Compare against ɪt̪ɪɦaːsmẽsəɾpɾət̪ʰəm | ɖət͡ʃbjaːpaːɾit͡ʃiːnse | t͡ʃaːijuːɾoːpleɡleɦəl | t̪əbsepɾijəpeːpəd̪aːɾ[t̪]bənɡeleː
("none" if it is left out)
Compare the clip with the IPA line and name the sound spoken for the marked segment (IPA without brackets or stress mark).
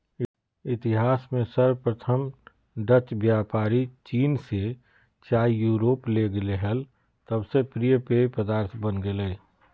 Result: t̪ʰ